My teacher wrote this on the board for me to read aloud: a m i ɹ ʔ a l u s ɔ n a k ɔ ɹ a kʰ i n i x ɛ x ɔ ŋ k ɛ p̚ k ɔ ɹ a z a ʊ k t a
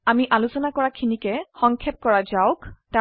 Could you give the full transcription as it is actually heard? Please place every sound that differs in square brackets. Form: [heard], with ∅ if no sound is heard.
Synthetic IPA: a m i [∅] ʔ a l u s ɔ n a k ɔ ɹ a kʰ i n i [k] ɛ x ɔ ŋ [kʰ] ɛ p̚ k ɔ ɹ a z a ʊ k t a